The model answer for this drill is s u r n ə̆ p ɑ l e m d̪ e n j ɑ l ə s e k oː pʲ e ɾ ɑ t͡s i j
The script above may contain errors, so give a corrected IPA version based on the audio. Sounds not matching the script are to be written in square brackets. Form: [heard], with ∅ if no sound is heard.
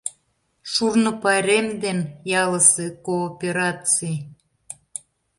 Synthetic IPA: [ʃ] u r n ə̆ p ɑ [ɾ] e m d̪ e n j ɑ l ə s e k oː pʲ e ɾ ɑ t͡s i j